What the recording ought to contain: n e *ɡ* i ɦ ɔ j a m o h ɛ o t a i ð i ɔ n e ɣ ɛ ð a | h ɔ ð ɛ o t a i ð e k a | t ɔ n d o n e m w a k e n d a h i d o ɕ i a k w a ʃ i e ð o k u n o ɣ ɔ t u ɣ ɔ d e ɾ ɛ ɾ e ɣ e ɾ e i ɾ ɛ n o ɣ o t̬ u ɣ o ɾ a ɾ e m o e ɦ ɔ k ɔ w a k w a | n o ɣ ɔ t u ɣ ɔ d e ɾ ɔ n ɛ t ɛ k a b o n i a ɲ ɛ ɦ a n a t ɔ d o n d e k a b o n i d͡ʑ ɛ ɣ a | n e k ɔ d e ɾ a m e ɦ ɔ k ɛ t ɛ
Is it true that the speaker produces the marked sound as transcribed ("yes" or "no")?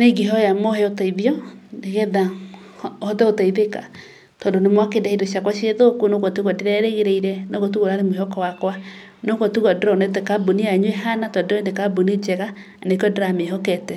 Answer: yes